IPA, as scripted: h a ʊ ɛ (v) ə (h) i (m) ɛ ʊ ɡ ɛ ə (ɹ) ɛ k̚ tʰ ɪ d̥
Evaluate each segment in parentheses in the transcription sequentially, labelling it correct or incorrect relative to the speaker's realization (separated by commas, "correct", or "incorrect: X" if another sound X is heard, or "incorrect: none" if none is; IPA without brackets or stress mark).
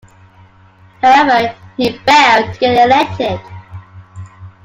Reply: correct, correct, incorrect: b, incorrect: l